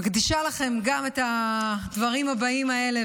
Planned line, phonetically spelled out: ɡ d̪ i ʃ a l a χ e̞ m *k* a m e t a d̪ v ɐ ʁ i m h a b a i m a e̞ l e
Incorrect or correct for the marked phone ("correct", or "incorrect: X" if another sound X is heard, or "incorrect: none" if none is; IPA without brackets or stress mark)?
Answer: incorrect: ɡ